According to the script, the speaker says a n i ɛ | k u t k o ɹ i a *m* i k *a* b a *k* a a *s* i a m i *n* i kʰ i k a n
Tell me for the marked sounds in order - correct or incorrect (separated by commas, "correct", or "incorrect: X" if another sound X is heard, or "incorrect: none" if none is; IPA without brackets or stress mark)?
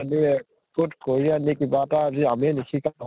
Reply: incorrect: n, incorrect: i, incorrect: t, incorrect: z, correct